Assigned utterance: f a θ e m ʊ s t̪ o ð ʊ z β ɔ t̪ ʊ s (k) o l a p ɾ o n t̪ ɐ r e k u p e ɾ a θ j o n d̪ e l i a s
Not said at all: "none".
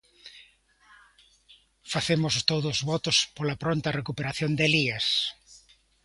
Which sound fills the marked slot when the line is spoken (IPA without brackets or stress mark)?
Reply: p